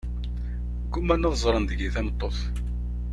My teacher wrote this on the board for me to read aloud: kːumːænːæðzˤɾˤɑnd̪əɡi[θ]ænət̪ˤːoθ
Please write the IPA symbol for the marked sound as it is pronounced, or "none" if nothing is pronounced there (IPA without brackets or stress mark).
θ